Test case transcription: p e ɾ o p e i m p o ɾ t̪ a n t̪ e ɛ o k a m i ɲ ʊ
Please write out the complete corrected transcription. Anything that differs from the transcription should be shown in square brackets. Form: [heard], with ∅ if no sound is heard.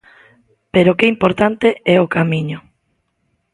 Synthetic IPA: p e ɾ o [k] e i m p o ɾ t̪ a n t̪ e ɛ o k a m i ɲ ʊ